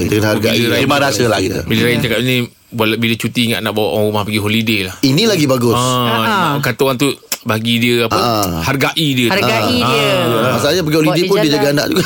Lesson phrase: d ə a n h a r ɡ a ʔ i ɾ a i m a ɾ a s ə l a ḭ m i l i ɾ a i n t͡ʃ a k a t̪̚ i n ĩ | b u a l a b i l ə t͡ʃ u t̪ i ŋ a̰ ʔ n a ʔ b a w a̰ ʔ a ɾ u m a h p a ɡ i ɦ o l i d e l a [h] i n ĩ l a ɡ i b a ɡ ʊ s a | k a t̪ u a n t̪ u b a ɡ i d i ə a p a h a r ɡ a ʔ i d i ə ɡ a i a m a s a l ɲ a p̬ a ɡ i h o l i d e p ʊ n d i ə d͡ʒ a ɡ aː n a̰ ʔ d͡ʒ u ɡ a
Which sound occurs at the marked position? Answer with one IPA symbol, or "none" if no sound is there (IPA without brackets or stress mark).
h